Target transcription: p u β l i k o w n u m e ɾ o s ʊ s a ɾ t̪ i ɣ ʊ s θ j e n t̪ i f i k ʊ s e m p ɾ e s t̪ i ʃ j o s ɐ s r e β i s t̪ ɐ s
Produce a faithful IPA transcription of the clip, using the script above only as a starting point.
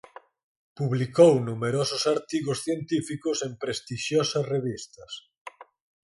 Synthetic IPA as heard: p u β l i k o w n u m e ɾ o s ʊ s a ɾ t̪ i ɣ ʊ s θ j e n t̪ i f i k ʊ s e m p ɾ e s t̪ i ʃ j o s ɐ s r e β i s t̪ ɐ s

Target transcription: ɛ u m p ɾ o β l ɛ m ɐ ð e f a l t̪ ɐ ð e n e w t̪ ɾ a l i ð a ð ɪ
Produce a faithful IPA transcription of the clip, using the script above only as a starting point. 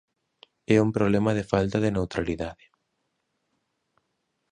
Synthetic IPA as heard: ɛ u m p ɾ o β l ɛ m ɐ ð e f a l t̪ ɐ ð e n e w t̪ ɾ a l i ð a ð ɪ

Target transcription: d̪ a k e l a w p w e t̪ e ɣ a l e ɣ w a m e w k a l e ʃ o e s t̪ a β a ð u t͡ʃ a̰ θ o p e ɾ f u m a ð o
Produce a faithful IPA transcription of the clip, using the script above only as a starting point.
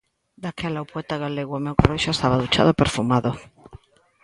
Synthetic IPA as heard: d̪ a k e l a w p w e t̪ a ɣ a l e ɣ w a m e w k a r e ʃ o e s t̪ a β a ð u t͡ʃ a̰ ð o p e ɾ f u m a ð o

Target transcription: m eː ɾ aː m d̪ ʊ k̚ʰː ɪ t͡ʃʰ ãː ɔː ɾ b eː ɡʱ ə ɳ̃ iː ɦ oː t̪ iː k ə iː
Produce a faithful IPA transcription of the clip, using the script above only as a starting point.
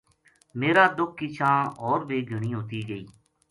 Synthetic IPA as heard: m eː ɾ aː d̪ ʊ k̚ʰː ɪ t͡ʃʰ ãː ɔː ɾ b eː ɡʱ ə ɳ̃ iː ɦ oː t̪ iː ɡ ə iː

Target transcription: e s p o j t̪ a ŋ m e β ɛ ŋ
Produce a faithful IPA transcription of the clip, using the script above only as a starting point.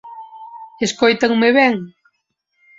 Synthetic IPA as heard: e s k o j t̪ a ŋ m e β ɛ ŋ

